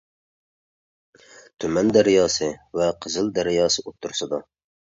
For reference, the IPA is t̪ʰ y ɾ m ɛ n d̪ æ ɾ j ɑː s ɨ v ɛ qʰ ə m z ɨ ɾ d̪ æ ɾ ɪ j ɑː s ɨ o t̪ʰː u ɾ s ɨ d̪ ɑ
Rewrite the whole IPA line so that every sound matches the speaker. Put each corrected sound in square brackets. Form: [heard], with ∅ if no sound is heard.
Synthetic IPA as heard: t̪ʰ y [∅] m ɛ n d̪ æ ɾ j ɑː s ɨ v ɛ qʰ ə [∅] z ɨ [l] d̪ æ ɾ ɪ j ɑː s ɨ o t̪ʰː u ɾ s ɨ d̪ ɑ